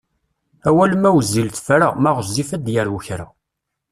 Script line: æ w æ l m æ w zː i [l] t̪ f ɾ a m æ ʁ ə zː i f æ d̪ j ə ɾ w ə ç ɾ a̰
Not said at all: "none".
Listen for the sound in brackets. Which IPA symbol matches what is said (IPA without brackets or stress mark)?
l